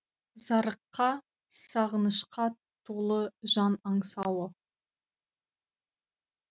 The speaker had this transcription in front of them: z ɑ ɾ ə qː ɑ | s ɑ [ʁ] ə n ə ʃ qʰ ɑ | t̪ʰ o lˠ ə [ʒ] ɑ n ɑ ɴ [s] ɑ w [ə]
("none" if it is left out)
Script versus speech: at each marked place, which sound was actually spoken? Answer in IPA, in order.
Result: ʁ, ʒ, s, ə

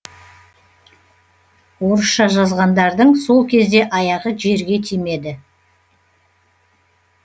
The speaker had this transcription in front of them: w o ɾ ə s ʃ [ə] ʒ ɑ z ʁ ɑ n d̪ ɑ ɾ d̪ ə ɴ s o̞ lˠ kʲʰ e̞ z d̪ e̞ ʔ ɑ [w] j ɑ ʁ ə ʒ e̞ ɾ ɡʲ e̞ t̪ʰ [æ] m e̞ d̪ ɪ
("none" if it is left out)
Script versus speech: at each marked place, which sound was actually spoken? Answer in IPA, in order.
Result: ɑ, none, i

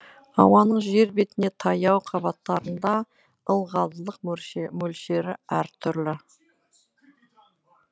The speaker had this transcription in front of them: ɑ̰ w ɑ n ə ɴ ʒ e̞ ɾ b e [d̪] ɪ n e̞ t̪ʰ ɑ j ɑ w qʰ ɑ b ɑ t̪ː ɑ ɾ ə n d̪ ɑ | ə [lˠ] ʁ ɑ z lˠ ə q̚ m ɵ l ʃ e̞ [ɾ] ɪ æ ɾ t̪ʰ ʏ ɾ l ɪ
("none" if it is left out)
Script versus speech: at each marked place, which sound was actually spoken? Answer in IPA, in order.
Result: t̪, lˠ, ɾ

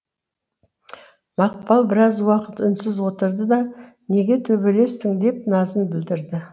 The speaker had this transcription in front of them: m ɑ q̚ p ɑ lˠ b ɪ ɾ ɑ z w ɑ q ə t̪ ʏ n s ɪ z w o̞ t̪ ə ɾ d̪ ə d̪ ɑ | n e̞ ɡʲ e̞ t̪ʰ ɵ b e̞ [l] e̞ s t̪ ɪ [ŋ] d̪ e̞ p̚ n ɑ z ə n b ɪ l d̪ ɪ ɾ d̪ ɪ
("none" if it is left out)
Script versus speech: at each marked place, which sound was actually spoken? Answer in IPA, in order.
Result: l, ŋ

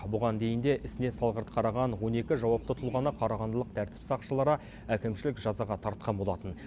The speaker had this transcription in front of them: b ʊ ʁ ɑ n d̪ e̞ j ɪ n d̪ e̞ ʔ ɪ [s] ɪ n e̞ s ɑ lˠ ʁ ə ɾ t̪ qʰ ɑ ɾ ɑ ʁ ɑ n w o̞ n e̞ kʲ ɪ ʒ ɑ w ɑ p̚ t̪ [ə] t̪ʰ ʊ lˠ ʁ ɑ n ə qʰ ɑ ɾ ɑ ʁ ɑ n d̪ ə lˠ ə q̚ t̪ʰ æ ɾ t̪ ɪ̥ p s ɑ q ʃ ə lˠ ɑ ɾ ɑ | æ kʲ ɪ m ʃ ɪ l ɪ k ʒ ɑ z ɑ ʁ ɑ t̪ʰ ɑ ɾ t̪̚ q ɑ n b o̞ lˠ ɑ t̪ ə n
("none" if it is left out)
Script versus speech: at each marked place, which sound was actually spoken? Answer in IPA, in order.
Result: s, ə

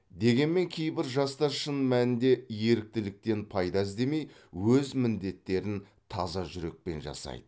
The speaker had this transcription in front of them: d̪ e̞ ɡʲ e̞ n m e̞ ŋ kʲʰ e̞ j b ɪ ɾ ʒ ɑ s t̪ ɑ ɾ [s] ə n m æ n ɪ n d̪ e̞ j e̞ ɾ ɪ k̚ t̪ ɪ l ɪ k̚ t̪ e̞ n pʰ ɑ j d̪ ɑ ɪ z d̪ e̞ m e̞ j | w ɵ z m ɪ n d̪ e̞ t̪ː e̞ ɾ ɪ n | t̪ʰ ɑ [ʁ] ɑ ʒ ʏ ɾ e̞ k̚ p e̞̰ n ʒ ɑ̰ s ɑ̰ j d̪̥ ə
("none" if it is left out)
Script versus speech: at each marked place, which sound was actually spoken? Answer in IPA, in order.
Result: ʃ, z

